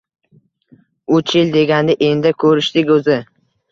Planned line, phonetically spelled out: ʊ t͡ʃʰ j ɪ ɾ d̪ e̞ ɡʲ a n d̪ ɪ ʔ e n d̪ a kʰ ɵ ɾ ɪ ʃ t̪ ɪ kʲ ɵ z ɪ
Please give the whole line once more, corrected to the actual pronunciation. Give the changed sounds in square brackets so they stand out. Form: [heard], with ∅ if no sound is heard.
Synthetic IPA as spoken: ʊ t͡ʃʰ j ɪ [l] d̪ e̞ ɡʲ a n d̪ ɪ ʔ e n d̪ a kʰ ɵ ɾ ɪ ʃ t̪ ɪ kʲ ɵ z ɪ